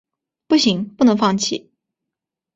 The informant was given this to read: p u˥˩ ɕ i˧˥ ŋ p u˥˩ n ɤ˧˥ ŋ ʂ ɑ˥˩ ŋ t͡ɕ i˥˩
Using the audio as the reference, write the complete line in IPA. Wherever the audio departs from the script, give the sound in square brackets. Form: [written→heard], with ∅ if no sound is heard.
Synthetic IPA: p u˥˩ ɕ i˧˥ ŋ p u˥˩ n ɤ˧˥ ŋ [ʂ→f] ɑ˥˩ ŋ [t͡ɕ→t͡ɕʰ] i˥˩